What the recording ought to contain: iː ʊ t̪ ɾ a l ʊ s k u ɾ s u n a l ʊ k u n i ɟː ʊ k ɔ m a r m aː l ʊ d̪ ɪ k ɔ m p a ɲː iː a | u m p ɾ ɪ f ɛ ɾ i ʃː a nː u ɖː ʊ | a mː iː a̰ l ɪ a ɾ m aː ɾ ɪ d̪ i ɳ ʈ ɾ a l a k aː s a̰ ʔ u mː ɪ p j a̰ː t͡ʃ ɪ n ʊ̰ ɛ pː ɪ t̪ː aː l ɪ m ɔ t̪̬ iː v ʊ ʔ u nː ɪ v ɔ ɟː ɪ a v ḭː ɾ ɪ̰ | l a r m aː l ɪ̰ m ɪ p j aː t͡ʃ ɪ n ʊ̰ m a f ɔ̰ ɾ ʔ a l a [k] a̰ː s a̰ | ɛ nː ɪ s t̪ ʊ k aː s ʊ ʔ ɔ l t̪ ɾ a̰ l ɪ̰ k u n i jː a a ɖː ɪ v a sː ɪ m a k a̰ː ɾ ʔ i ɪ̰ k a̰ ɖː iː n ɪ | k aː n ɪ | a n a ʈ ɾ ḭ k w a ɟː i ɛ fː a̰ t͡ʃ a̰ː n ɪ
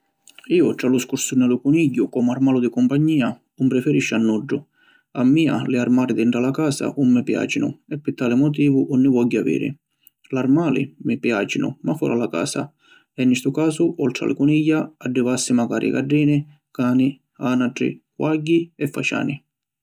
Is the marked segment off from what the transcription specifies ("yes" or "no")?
no